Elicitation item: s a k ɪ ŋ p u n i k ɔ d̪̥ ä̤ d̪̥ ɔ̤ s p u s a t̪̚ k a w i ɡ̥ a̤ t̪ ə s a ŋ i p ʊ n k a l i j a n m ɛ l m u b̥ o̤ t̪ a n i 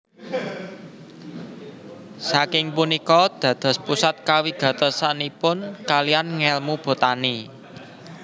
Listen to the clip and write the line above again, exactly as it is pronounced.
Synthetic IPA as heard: s a k ɪ ŋ p u n i k ɔ d̪̥ ä̤ d̪̥ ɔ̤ s p u s a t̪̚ k a w i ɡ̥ a̤ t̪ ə s a n i p ʊ n k a l i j a n ŋ ɛ l m u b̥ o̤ t̪ a n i